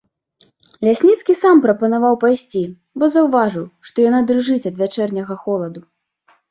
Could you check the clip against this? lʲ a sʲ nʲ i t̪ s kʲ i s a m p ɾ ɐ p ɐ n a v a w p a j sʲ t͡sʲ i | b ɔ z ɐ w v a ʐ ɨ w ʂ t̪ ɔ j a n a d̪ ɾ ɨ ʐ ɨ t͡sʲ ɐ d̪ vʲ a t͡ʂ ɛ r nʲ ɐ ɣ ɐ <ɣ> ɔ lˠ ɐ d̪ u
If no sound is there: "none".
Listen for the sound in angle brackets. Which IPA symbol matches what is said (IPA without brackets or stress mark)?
x